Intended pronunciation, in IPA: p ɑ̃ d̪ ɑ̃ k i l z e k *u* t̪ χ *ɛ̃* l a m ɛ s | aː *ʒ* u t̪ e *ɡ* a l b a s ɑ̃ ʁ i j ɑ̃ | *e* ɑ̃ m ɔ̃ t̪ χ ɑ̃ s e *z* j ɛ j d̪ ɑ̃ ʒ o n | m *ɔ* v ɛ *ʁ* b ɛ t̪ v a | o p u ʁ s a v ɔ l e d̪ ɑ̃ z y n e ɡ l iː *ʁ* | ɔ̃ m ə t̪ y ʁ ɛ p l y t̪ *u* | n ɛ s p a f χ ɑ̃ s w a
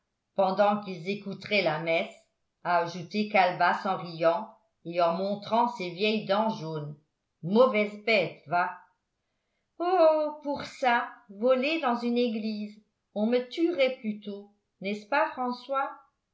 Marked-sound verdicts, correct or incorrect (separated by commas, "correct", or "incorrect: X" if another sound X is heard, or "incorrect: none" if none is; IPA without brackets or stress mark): correct, incorrect: ɛ, correct, incorrect: k, correct, incorrect: v, correct, incorrect: z, incorrect: z, incorrect: o